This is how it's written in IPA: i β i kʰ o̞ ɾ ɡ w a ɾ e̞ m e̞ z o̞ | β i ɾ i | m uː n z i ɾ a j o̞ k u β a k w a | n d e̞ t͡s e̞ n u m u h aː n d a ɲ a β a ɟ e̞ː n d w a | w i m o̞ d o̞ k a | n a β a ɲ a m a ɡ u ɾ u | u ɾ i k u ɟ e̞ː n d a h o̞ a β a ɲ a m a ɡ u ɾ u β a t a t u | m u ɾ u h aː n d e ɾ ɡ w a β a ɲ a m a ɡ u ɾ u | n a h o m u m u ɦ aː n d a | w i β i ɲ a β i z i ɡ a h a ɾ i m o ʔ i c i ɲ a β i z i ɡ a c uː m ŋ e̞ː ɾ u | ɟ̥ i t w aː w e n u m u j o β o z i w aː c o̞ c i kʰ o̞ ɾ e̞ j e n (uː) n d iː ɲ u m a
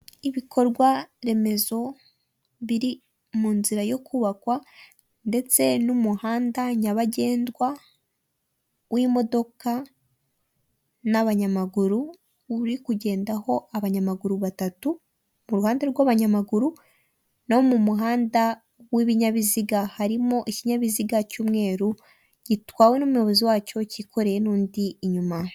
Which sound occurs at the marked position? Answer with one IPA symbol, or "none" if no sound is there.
uː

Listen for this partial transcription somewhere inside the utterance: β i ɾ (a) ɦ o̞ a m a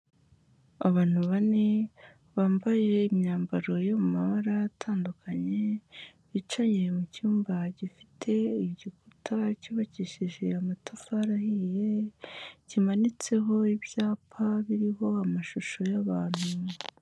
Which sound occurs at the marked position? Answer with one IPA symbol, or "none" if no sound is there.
i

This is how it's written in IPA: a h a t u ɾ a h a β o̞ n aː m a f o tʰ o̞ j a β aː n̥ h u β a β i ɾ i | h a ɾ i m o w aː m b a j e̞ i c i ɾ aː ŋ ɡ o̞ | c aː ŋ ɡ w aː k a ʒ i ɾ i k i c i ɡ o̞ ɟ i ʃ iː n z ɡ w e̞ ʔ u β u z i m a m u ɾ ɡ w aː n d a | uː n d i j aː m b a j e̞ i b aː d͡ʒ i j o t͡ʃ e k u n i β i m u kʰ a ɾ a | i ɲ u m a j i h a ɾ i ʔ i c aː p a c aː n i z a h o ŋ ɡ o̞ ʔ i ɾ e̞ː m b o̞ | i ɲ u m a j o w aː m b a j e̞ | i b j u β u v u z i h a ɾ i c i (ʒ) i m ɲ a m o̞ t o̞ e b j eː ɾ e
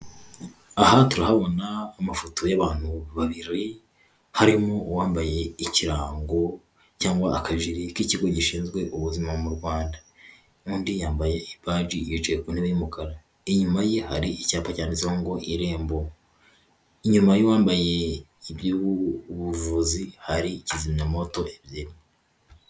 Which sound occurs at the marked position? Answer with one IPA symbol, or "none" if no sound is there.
z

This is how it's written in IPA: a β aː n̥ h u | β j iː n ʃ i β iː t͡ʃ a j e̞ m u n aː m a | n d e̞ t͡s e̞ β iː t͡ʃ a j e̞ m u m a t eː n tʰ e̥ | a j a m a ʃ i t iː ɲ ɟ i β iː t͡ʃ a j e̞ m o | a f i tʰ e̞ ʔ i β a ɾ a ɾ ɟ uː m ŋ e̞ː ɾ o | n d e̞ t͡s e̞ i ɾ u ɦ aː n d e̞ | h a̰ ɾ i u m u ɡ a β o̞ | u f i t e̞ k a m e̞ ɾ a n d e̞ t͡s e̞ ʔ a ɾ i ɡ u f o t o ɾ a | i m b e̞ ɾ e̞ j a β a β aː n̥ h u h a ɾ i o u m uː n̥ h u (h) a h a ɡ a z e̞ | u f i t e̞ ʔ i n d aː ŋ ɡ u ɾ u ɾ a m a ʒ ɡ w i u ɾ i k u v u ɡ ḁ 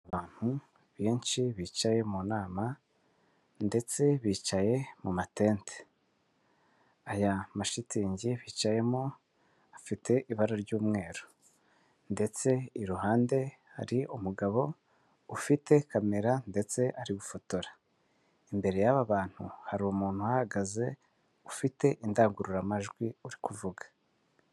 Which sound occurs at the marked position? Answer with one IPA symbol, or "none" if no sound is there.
h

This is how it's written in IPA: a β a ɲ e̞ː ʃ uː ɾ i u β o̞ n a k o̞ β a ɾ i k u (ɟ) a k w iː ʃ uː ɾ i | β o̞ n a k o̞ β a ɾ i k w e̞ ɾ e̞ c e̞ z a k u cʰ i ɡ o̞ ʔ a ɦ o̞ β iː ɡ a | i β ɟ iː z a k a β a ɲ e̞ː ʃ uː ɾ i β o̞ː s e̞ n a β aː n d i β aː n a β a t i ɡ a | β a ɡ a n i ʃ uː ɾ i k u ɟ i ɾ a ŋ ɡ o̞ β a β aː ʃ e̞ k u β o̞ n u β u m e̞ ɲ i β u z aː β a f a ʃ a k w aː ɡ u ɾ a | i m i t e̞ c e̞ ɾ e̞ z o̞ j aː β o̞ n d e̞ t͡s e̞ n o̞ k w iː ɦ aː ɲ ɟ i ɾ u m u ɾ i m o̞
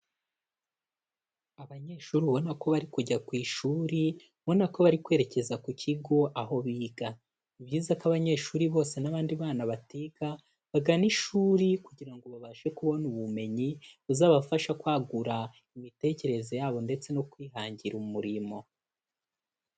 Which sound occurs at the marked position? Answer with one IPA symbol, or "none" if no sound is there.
ɟ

